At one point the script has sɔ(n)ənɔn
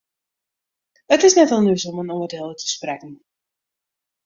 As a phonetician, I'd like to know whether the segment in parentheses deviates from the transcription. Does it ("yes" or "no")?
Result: yes